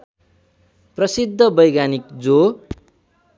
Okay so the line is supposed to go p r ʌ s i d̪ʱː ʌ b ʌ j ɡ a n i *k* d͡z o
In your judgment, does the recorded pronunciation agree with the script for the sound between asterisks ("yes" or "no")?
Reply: yes